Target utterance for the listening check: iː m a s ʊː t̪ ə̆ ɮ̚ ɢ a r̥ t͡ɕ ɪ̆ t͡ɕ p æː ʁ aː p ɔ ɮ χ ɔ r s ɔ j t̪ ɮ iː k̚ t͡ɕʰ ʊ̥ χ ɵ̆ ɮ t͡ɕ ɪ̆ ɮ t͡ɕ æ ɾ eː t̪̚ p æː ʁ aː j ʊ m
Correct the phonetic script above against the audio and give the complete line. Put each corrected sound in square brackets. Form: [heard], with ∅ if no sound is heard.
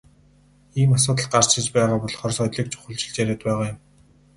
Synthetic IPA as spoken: iː m a s ʊː t̪ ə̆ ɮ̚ ɢ a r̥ t͡ɕ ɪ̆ t͡ɕ p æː ʁ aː p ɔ ɮ χ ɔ r s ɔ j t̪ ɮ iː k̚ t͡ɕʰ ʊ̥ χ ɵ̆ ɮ t͡ɕ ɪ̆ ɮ t͡ɕ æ ɾ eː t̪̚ p æː ʁ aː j ʊ m